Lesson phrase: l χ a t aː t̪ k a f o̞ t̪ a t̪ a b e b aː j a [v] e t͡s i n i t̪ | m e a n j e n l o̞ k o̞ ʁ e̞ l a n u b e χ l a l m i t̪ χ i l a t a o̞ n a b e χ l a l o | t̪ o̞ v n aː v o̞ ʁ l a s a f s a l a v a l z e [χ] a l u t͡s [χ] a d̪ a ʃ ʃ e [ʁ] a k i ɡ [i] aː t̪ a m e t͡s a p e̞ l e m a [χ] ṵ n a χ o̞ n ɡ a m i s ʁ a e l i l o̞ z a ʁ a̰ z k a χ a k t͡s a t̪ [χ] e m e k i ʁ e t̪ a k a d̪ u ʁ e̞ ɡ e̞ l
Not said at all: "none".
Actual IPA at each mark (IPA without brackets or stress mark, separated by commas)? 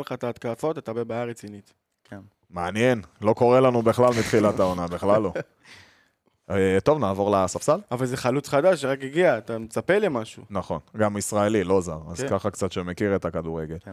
ʁ, χ, χ, ʁ, i, ʃ, ʃ